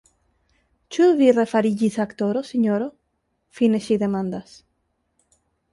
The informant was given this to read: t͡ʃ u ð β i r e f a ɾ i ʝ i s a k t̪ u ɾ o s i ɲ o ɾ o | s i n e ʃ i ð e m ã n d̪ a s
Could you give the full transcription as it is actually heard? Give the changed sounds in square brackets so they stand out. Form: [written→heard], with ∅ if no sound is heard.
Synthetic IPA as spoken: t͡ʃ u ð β i r e f a ɾ i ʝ i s a k t̪ [u→o] ɾ o s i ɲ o ɾ o | [s→f] i n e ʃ i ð e m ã n d̪ a s